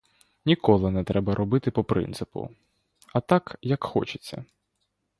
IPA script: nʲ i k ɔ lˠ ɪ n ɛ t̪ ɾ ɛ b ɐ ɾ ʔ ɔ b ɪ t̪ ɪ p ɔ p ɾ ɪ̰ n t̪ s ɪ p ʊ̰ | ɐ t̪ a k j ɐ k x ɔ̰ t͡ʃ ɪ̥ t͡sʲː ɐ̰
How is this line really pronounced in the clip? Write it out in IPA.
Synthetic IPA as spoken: nʲ i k ɔ lˠ ɪ n ɛ t̪ ɾ ɛ b ɐ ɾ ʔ ɔ b ɪ t̪ ɪ p ɔ p ɾ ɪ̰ n t̪ s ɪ p ʊ̰ | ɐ t̪ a k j ɐ k x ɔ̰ t͡ʃ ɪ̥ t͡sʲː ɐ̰